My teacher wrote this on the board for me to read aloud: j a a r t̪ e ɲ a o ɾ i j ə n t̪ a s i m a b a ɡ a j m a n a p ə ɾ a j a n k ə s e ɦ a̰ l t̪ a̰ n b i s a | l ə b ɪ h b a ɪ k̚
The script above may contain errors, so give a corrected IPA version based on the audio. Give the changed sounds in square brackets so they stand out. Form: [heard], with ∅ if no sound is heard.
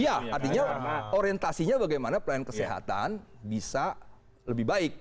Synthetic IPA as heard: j a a r t̪ [i] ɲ a o ɾ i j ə n t̪ a s i [ɲ] a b a ɡ a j m a n a p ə [l] a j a n k ə s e ɦ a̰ [∅] t̪ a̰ n b i s a | l ə b ɪ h b a ɪ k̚